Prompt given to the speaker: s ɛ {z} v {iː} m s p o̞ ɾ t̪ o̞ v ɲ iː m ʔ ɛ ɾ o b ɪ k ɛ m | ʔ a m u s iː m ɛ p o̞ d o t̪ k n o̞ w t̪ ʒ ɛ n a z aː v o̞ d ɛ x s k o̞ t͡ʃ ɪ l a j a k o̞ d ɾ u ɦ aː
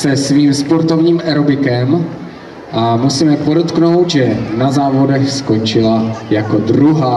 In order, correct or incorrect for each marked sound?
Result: incorrect: s, correct

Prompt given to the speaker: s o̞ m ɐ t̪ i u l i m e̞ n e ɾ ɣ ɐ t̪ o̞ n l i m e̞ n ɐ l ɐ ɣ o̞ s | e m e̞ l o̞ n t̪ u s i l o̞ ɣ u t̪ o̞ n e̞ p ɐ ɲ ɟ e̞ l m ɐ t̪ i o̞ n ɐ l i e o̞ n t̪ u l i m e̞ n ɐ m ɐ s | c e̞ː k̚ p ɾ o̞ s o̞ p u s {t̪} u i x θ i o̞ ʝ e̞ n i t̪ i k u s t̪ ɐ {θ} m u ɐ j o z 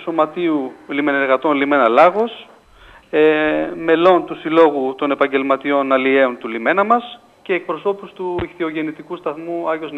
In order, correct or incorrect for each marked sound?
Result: correct, correct

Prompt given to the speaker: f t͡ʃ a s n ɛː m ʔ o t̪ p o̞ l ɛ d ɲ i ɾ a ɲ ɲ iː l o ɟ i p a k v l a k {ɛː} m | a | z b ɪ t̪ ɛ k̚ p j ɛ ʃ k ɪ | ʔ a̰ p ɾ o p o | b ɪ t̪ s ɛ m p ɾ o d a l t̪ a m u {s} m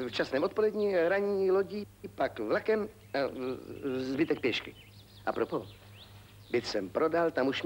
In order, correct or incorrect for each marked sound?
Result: incorrect: ɛ, incorrect: ʃ

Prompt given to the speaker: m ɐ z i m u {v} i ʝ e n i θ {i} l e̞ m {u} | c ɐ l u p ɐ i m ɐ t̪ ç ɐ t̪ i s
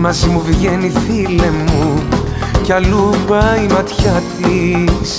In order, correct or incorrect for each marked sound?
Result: correct, correct, correct

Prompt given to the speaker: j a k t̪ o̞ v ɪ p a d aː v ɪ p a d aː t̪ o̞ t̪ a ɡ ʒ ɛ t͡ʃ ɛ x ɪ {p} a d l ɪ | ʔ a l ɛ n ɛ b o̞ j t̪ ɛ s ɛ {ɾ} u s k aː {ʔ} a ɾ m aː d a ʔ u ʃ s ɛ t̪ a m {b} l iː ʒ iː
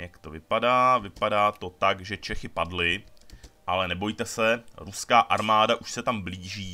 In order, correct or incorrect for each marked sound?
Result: correct, correct, correct, correct

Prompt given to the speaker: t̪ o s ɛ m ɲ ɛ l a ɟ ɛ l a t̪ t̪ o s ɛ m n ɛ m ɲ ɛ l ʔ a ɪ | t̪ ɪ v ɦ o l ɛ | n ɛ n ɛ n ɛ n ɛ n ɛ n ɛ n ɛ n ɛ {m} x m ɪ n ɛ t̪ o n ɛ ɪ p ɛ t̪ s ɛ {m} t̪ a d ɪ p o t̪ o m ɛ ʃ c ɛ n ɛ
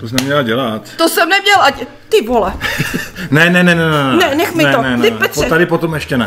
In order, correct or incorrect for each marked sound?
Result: incorrect: none, incorrect: none

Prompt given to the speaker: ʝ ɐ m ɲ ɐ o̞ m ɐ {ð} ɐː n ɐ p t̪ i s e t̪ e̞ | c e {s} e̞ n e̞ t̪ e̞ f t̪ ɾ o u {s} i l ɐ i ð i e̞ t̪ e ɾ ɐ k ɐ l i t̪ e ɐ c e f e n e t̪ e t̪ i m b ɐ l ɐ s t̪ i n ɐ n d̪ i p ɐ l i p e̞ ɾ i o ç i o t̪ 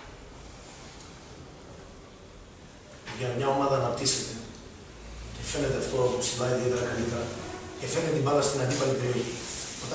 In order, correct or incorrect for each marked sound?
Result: correct, incorrect: f, correct

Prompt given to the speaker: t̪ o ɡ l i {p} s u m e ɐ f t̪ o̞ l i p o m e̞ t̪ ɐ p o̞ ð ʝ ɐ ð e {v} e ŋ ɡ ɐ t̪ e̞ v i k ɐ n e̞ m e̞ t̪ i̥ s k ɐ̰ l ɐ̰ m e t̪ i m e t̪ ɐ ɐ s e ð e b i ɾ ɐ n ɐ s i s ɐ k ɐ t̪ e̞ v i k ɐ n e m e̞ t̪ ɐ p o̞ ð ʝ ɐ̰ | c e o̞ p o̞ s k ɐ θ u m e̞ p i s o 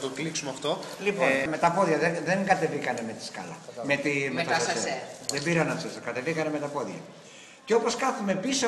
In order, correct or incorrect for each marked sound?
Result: incorrect: k, incorrect: ð

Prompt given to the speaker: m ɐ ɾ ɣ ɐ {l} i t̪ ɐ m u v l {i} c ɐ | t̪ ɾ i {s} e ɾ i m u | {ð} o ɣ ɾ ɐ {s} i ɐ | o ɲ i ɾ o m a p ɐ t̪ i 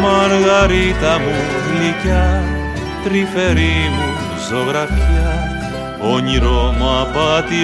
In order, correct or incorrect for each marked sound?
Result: incorrect: ɾ, correct, incorrect: f, incorrect: z, incorrect: f

